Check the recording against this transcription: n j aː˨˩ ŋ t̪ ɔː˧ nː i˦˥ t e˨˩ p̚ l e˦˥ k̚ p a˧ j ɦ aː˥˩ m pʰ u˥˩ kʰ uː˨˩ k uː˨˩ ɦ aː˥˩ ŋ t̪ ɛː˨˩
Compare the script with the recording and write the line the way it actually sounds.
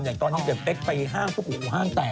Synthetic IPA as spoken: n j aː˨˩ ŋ t̪ ɔː˧ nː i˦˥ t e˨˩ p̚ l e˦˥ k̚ p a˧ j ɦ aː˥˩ ŋ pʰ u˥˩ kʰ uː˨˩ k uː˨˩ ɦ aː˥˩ ŋ t̪ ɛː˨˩